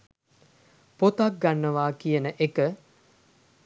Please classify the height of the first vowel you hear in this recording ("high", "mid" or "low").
mid